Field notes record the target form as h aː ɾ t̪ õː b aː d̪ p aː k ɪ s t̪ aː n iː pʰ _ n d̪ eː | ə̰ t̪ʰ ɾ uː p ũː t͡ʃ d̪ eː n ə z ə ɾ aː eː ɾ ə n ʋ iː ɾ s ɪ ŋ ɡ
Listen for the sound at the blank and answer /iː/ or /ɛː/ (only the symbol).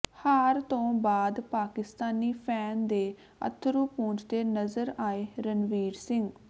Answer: ɛː